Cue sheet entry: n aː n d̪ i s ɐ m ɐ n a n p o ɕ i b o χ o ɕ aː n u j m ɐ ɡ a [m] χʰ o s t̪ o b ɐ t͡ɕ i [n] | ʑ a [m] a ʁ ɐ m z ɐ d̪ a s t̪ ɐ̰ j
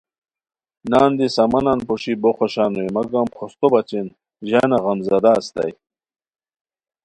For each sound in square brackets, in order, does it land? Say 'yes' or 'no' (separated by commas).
yes, yes, no